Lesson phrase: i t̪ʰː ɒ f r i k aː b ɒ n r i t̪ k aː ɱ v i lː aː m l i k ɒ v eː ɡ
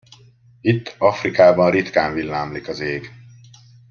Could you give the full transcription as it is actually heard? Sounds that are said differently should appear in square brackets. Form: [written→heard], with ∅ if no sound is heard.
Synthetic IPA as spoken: i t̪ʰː ɒ f r i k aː b ɒ n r i t̪ k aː ɱ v i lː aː m l i k ɒ [v→z] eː ɡ